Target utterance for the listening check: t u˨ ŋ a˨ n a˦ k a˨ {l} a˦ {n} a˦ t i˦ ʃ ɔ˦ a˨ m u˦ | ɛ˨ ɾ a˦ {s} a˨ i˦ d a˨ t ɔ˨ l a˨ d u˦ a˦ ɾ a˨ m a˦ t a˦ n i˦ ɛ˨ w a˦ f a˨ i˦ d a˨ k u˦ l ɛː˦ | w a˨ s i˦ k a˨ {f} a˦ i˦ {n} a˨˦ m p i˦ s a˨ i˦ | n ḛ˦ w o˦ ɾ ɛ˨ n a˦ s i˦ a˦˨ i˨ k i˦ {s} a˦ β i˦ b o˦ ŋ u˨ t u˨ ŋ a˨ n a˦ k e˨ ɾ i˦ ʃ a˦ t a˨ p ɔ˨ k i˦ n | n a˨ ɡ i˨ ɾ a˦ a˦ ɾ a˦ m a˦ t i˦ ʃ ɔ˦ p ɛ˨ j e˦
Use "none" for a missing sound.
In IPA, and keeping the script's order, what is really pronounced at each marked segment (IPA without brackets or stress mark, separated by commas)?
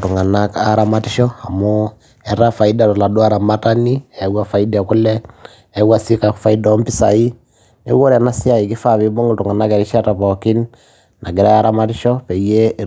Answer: ɾ, m, f, f, d, f